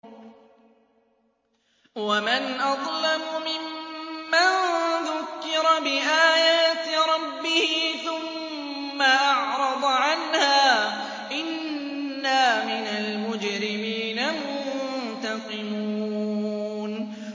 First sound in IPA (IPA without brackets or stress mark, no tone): w